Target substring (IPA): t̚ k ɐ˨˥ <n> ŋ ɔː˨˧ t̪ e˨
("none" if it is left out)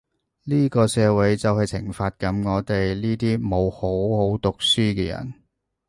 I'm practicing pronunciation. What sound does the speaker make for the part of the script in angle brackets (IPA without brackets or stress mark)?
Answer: m